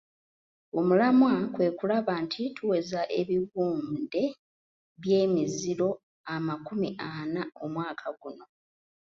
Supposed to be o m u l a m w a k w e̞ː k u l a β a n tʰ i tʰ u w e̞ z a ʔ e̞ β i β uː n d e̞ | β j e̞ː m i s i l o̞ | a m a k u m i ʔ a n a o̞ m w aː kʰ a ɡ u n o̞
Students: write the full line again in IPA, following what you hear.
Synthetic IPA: o m u l a m w a k w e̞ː k u l a β a n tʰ i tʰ u w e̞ z a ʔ e̞ β i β uː n d e̞ | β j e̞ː m i z i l o̞ | a m a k u m i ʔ a n a o̞ m w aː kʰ a ɡ u n o̞